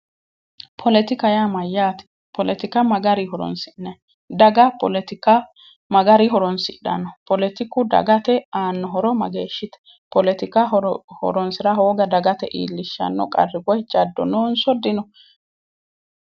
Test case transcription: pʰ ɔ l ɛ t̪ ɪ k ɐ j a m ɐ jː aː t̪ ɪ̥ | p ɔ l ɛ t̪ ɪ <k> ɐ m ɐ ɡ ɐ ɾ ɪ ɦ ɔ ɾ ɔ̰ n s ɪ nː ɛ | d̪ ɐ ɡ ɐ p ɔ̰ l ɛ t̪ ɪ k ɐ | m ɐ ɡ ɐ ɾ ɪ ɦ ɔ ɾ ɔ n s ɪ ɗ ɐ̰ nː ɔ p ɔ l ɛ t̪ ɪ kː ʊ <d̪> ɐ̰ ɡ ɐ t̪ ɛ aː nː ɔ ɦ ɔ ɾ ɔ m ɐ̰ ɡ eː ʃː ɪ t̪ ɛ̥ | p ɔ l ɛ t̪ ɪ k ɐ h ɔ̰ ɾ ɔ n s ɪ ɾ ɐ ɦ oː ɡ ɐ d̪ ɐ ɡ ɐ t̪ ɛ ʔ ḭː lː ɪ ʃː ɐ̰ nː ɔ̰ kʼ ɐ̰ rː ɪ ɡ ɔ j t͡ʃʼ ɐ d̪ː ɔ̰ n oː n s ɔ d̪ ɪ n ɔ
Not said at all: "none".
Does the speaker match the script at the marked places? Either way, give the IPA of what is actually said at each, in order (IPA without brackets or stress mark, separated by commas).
k, d̪